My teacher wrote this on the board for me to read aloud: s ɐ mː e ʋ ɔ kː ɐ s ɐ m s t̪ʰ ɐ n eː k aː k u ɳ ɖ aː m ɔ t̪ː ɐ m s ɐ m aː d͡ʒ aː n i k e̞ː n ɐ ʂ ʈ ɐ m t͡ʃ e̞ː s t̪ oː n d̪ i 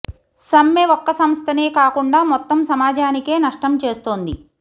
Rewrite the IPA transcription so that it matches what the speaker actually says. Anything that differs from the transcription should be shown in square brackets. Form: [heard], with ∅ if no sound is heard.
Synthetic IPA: s ɐ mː e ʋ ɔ kː ɐ s ɐ m s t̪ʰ ɐ n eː k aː k u ɳ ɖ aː m ɔ t̪ː ɐ m s ɐ m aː d͡ʒ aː n i k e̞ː n ɐ ʂ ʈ ɐ m t͡ʃ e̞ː s t̪ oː n d̪ i